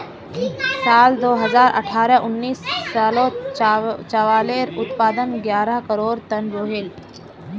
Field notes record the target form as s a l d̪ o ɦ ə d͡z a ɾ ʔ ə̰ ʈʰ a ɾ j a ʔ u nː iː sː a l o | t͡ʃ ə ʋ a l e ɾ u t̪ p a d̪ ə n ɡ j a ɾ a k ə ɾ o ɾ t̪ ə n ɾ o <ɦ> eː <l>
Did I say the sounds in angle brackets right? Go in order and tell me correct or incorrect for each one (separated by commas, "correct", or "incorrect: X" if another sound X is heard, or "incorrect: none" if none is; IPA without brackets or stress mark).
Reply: correct, correct